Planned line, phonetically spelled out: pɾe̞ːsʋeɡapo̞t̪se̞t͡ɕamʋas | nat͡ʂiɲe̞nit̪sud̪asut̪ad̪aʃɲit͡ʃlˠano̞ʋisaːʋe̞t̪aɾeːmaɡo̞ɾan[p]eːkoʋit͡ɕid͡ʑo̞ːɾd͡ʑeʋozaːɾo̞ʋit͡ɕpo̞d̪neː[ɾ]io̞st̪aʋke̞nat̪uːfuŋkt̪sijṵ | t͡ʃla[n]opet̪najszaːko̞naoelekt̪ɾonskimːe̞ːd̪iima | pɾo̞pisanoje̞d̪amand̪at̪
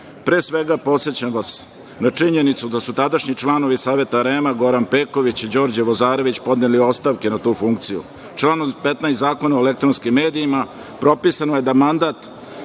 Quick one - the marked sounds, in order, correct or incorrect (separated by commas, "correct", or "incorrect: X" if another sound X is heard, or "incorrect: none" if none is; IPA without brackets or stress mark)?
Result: correct, incorrect: l, correct